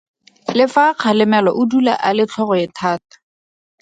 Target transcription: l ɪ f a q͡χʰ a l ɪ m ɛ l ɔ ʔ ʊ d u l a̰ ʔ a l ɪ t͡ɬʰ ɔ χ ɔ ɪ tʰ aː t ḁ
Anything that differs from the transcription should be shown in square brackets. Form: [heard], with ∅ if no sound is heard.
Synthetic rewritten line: l ɪ f a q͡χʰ a l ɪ m ɛ l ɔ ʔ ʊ d u l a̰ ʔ a l ɪ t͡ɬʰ ɔ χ ɔ ɪ tʰ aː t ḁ